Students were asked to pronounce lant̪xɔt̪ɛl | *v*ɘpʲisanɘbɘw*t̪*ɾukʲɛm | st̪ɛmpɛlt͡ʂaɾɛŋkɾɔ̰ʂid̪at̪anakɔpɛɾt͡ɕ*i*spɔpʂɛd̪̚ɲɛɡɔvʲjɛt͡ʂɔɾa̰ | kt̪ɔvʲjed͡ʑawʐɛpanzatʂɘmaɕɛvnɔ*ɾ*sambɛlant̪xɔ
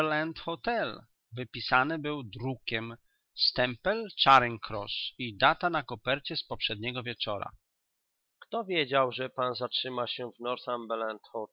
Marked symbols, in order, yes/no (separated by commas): yes, no, no, yes